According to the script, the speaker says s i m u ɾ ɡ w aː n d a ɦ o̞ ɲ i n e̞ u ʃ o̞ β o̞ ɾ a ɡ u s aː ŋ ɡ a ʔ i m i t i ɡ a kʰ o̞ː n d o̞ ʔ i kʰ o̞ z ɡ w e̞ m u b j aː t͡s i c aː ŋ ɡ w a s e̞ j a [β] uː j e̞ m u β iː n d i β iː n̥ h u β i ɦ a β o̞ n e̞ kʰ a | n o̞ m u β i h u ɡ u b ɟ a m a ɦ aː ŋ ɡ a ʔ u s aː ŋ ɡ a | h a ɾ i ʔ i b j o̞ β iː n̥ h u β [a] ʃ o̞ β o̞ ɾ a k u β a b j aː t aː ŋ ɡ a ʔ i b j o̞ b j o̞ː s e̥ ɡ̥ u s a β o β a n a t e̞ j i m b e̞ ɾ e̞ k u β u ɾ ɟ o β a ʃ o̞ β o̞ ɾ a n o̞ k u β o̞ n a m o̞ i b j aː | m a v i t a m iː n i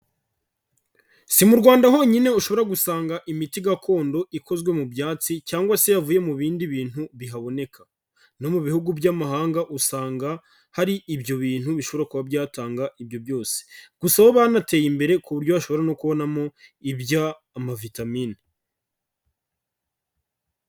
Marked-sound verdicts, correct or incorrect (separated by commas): incorrect, incorrect